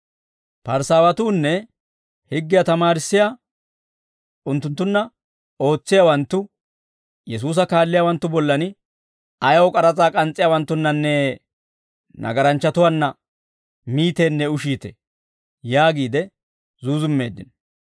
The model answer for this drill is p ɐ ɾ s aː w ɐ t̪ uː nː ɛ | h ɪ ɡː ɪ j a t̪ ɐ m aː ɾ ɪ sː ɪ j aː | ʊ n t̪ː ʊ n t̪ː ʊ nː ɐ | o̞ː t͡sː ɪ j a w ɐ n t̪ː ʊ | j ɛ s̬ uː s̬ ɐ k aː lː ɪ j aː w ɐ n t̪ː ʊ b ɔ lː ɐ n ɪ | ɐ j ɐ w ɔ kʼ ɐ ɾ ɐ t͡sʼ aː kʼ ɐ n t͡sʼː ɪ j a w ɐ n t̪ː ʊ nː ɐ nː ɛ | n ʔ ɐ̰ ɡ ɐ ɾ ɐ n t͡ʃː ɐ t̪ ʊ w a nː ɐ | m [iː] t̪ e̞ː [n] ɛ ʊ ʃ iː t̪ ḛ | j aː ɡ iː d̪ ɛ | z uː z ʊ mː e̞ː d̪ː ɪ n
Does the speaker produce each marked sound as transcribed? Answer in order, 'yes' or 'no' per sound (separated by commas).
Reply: yes, no